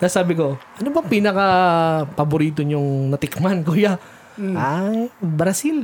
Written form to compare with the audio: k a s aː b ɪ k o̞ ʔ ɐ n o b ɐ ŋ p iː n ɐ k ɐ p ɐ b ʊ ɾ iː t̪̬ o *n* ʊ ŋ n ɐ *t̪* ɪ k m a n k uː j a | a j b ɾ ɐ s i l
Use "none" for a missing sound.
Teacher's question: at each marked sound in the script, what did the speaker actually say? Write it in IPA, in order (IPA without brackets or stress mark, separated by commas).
ɲ, t̪